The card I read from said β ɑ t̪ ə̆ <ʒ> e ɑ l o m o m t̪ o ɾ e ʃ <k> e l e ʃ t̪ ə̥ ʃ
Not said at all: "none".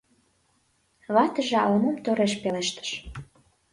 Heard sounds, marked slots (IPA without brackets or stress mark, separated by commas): ʒ, p